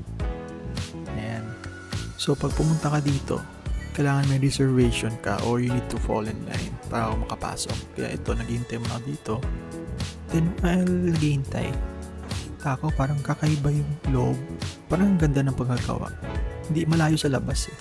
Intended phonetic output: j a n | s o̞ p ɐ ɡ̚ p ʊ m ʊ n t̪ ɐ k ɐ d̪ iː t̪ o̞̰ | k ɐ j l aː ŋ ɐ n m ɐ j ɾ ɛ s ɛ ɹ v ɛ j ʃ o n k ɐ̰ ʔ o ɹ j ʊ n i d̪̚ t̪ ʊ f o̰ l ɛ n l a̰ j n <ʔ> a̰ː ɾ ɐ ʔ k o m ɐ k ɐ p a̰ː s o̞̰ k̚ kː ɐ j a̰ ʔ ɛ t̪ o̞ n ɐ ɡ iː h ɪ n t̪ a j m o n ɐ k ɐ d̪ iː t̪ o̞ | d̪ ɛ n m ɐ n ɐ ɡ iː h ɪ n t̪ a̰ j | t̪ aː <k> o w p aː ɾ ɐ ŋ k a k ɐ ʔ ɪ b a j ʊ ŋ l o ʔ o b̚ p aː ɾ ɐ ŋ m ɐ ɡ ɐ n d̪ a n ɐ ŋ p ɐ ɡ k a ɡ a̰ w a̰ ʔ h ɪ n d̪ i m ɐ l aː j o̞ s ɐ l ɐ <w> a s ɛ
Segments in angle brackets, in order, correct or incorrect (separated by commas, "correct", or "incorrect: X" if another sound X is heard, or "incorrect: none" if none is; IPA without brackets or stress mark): incorrect: p, correct, incorrect: b